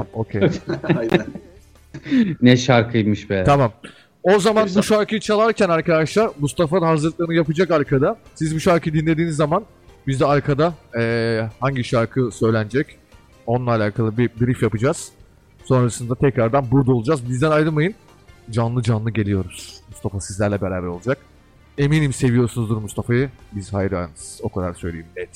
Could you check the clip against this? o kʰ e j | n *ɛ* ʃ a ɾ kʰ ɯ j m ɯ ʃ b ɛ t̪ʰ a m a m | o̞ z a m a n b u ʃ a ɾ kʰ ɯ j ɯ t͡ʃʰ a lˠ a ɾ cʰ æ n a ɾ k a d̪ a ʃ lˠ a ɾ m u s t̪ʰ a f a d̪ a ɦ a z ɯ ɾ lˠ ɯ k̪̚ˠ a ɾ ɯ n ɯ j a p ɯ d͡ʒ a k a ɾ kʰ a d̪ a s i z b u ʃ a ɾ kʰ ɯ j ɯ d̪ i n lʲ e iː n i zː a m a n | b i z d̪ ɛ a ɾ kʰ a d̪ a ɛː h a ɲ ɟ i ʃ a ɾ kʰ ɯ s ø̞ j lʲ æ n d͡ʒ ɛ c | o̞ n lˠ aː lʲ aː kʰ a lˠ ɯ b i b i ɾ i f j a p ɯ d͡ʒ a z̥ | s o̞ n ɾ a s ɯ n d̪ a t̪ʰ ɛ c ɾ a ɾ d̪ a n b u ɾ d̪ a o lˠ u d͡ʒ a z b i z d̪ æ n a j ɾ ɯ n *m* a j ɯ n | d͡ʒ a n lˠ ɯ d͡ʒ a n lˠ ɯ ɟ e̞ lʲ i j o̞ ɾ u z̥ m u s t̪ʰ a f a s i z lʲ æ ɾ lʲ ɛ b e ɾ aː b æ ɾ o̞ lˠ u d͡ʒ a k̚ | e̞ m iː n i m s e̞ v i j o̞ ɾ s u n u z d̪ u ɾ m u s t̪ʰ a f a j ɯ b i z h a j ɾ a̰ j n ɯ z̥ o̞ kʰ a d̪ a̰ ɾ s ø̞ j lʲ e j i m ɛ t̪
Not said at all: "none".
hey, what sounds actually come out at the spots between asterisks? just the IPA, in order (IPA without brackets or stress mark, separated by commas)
ɛ, m